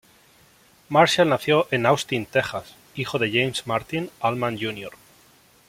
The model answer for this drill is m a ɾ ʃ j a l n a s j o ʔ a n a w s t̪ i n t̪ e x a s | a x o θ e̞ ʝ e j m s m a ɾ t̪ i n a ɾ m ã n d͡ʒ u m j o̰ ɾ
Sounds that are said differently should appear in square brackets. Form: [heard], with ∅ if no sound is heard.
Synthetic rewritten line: m a ɾ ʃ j a l n a [θ] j o ʔ [e] n a w s t̪ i n t̪ e x a s | [i] x o [ð] e̞ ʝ e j m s m a ɾ t̪ i n a [l] m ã n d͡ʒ u [n] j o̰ ɾ